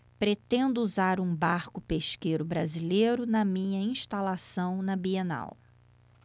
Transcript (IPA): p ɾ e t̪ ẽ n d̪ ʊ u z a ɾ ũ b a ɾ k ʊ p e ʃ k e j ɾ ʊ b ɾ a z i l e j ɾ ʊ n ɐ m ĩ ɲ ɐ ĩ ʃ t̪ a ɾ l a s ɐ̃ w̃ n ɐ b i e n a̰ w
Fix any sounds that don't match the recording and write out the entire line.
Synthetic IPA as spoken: p ɾ e t̪ ẽ n d̪ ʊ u z a ɾ ũ b a ɾ k ʊ p e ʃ k e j ɾ ʊ b ɾ a z i l e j ɾ ʊ n ɐ m ĩ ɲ ɐ ĩ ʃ t̪ a l a s ɐ̃ w̃ n ɐ b i e n a̰ w